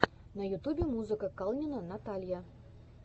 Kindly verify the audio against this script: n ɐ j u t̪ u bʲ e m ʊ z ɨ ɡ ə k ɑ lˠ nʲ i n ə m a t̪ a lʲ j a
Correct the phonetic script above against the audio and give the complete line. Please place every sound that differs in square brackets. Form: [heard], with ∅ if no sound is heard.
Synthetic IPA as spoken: n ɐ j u t̪ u bʲ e m [u] z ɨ [k] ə k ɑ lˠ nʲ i n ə [n] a t̪ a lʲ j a